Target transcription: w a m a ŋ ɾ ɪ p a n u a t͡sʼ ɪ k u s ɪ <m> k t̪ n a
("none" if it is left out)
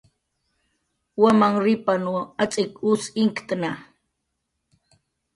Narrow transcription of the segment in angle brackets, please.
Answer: ŋ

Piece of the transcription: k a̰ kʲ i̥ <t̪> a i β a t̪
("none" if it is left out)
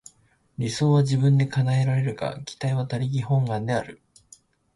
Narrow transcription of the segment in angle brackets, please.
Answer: t̪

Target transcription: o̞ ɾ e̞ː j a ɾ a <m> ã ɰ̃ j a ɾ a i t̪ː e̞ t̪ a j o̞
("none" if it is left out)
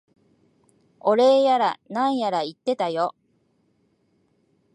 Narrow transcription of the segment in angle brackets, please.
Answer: n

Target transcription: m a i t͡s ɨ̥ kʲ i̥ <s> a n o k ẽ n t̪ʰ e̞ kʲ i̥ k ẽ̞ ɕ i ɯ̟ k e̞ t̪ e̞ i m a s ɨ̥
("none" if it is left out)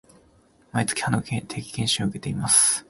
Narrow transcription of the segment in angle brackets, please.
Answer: h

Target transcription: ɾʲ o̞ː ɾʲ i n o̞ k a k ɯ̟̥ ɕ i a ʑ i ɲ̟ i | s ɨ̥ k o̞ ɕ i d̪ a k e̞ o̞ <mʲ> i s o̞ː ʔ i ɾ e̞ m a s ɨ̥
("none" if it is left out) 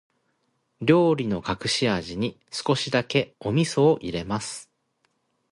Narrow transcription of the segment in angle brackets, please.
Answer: mʲ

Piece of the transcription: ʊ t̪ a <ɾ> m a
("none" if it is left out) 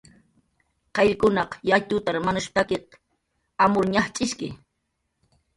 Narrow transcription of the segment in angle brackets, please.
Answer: ɾ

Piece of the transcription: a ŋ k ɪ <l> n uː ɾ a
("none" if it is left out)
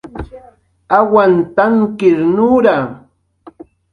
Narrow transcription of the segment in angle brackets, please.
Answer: ɾ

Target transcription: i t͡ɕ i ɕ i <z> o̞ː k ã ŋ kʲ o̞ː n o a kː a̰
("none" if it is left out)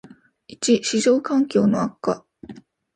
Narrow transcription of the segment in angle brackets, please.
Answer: ʑ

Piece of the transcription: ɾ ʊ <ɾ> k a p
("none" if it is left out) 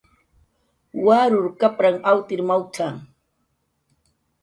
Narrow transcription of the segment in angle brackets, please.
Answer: ɾ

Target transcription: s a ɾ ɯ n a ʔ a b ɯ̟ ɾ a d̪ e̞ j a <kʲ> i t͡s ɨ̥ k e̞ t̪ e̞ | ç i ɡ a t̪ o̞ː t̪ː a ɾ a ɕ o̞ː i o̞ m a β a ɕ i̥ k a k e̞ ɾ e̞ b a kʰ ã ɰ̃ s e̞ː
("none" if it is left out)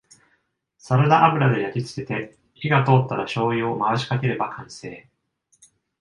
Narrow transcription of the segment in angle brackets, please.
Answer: kʲ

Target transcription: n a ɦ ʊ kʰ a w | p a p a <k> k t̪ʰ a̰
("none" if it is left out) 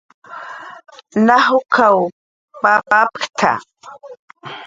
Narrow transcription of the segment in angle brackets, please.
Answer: p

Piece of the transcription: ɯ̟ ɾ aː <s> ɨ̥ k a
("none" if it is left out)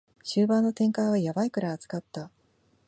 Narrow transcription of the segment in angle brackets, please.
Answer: t͡s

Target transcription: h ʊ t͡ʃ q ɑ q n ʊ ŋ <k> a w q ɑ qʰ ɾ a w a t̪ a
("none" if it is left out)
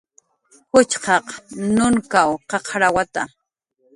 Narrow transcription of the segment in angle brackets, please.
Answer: k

